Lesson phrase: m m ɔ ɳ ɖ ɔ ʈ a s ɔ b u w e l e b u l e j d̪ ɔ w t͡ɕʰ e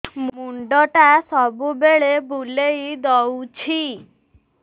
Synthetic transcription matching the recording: m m u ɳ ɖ ɔ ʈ a s ɔ b u b e ɭ e b u l e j d̪ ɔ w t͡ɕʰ i